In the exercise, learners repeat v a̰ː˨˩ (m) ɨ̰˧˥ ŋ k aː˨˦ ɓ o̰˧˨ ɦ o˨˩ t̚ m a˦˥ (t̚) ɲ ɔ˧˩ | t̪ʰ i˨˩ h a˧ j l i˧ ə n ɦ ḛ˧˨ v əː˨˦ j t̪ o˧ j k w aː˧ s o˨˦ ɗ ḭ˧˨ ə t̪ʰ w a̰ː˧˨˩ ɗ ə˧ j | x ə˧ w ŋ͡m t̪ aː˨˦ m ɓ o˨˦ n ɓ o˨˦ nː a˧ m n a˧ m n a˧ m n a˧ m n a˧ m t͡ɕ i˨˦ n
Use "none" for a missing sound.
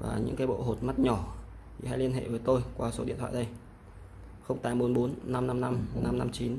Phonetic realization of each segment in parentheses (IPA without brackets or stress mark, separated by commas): ɲ, t̚